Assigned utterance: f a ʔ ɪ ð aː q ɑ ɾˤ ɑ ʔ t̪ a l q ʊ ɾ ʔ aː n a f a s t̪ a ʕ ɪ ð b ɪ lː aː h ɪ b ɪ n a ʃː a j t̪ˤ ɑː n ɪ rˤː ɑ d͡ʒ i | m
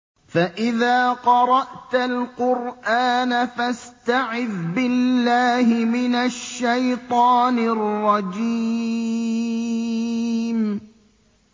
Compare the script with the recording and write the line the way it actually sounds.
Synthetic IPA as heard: f a ʔ ɪ ð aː q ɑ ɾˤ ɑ ʔ t̪ a l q ʊ ɾ ʔ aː n a f a s t̪ a ʕ ɪ ð b ɪ lː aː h ɪ m ɪ n a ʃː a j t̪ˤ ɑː n ɪ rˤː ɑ d͡ʒ i | m